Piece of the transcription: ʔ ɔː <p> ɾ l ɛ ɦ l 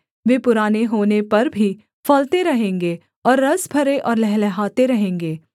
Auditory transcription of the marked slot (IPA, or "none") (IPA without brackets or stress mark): none